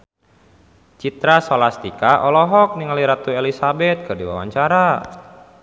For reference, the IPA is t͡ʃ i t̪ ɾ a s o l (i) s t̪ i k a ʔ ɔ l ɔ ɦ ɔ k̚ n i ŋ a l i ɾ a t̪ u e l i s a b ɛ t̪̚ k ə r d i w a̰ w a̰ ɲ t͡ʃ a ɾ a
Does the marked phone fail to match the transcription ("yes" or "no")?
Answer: yes